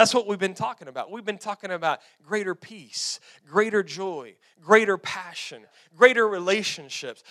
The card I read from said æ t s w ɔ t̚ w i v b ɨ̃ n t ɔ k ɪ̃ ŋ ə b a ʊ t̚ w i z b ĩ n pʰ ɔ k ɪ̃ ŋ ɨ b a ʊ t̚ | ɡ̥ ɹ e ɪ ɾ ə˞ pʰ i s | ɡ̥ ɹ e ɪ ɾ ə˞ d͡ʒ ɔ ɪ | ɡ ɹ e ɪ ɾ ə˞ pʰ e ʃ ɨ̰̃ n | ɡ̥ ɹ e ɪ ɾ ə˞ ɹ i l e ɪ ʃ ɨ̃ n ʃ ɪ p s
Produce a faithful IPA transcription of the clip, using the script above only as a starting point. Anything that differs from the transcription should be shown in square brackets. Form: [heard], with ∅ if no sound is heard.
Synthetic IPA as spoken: æ t s w [ʌ] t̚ w i v b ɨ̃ n [tʰ] ɔ k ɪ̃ ŋ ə b a ʊ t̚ w i [v] b [ɨ̃] n [tʰ] ɔ k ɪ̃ ŋ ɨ b a ʊ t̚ | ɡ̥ ɹ e ɪ ɾ ə˞ pʰ i s | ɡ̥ ɹ e ɪ ɾ ə˞ d͡ʒ ɔ ɪ | ɡ ɹ e ɪ ɾ ə˞ pʰ [æ] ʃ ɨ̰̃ n | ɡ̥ ɹ e ɪ ɾ ə˞ ɹ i l e ɪ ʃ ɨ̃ n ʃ ɪ p s